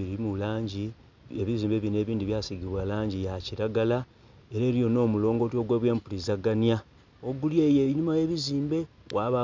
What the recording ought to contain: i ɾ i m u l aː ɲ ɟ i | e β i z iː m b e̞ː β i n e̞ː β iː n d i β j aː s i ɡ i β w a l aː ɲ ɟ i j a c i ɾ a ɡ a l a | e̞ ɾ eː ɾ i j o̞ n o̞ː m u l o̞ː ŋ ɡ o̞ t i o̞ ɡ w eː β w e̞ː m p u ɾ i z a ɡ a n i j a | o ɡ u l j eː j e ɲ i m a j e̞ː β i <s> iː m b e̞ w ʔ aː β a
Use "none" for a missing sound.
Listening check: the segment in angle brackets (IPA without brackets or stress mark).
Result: z